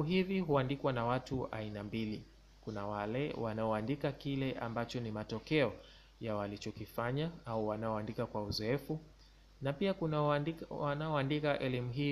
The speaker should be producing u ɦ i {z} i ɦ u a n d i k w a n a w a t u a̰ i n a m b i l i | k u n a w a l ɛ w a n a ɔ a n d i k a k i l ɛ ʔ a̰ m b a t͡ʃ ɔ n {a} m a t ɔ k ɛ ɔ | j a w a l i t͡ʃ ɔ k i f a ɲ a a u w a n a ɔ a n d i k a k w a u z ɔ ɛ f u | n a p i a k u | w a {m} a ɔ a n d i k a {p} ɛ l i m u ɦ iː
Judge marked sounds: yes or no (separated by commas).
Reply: no, no, no, no